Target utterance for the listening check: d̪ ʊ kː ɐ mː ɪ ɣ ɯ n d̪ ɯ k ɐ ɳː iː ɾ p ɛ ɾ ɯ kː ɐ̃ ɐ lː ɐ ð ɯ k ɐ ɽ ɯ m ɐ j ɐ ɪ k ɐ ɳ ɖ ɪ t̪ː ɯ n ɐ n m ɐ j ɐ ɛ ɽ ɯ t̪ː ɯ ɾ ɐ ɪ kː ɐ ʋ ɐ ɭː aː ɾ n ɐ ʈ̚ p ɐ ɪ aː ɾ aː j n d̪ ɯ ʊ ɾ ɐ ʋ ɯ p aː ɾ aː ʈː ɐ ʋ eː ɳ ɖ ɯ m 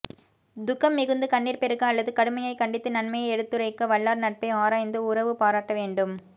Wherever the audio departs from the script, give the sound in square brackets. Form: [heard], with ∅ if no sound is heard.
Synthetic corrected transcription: d̪ ʊ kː ɐ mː ɪ ɣ ɯ n d̪ ɯ k ɐ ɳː iː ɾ p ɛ ɾ ɯ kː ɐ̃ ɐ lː ɐ ð ɯ k ɐ ɽ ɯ m ɐ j ɐ ɪ k ɐ ɳ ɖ ɪ t̪ː ɯ n ɐ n m ɐ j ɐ ɛ ɽ ɯ t̪ː ɯ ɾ ɐ ɪ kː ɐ ʋ ɐ ɭː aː ɾ n ɐ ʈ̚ p ɐ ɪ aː ɾ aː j n d̪ ɯ ʊ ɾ ɐ ʋ ɯ p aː ɾ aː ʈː ɐ ʋ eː ɳ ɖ ɯ m